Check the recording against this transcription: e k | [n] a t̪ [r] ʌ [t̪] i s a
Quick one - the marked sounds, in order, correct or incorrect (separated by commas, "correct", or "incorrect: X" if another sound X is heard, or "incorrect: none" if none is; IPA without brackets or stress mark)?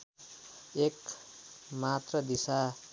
incorrect: m, correct, incorrect: d̪